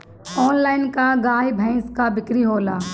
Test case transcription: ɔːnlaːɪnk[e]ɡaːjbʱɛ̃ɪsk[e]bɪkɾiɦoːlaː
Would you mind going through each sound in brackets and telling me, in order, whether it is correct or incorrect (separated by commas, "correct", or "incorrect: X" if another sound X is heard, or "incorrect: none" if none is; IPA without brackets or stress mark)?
incorrect: a, incorrect: a